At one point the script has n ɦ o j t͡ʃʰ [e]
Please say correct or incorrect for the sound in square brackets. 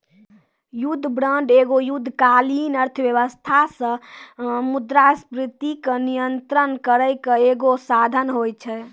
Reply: incorrect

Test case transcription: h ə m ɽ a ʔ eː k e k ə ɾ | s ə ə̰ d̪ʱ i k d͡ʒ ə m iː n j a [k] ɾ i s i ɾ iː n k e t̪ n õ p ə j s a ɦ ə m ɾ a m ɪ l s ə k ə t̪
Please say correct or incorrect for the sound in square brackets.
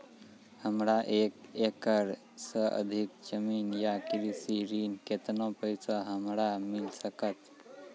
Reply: correct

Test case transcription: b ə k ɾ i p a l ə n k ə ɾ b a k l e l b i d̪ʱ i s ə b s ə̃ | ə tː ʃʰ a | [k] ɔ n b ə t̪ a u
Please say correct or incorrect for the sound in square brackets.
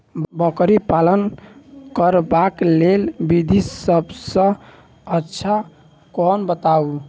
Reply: correct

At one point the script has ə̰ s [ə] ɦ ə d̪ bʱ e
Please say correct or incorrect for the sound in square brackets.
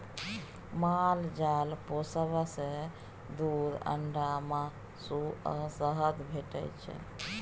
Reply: correct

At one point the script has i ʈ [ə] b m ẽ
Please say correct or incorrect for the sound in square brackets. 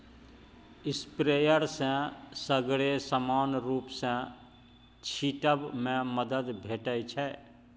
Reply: correct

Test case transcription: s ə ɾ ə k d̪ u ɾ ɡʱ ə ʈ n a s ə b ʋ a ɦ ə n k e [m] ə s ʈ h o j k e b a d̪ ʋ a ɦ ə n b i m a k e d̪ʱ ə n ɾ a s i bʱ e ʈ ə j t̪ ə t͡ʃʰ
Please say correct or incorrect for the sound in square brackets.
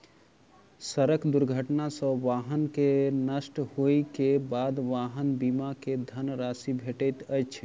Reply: incorrect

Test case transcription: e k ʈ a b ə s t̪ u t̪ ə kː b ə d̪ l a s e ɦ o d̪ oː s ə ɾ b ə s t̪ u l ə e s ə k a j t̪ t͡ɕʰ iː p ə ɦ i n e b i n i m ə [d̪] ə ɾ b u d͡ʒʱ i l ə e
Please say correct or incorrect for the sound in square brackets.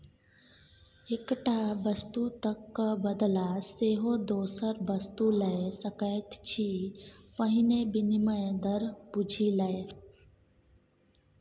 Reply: correct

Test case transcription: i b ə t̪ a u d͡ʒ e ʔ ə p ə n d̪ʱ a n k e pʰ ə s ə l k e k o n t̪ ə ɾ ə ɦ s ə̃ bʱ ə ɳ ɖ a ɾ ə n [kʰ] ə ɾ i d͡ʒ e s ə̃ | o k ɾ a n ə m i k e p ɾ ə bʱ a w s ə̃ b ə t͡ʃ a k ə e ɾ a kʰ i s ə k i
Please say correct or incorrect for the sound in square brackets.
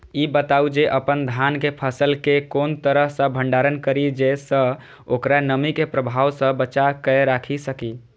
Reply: incorrect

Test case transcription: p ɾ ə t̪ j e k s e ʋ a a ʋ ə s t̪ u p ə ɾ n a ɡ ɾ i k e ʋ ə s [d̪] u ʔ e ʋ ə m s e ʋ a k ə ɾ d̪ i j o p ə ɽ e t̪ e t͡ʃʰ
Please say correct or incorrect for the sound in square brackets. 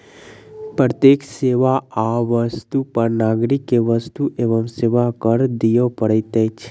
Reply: incorrect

